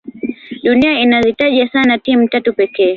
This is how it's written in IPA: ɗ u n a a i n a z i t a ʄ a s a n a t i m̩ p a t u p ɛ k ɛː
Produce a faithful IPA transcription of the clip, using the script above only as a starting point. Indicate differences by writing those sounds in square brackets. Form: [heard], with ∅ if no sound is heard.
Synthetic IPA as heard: ɗ u n [i] a i n a z i t a ʄ a s a n a t i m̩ [t] a t u p ɛ k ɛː